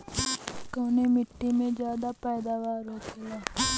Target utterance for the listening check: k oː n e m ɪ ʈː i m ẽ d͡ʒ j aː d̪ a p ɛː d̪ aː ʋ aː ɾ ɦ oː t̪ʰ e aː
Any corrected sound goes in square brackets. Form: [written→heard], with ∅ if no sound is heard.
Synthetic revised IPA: k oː n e m ɪ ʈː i m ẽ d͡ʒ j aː d̪ a p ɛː d̪ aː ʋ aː ɾ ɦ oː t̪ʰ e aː